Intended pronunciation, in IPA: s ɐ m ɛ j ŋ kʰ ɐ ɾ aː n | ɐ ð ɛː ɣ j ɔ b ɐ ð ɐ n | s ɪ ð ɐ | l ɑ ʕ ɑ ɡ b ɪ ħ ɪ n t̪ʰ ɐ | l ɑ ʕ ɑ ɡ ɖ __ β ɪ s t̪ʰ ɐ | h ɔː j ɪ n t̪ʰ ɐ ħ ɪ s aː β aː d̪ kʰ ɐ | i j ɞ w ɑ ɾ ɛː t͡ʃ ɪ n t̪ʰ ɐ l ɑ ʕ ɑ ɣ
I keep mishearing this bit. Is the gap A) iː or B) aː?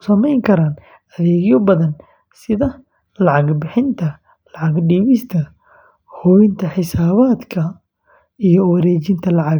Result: A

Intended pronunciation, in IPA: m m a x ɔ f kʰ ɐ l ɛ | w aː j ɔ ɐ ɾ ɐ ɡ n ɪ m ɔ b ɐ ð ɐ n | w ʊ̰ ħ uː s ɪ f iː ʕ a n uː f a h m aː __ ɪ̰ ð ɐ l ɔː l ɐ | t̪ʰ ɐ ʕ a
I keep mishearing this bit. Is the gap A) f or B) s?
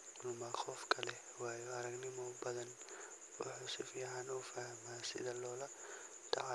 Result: B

